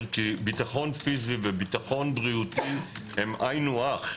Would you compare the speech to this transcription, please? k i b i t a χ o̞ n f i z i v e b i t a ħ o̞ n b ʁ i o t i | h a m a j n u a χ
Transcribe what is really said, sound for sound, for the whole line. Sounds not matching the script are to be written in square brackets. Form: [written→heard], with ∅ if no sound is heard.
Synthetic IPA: k i b i t a χ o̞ n f i z i v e b i t a [ħ→χ] o̞ n b ʁ i [o→u] t i | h [a→e] m a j n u a χ